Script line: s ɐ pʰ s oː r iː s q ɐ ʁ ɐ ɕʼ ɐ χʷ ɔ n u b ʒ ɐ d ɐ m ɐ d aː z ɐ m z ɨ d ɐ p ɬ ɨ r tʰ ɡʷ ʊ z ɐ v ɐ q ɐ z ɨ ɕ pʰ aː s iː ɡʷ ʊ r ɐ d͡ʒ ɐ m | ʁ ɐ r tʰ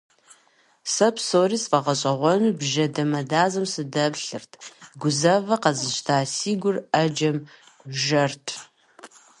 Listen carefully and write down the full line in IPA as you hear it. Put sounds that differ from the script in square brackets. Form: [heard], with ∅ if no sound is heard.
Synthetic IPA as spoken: s ɐ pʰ s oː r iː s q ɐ ʁ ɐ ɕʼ ɐ [ʁʷ] ɔ n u b ʒ ɐ d ɐ m ɐ d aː z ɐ m [s] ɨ d ɐ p ɬ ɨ r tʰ ɡʷ ʊ z ɐ v ɐ q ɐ z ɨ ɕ [tʰ] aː s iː ɡʷ ʊ r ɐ d͡ʒ ɐ m | [ʒ] ɐ r tʰ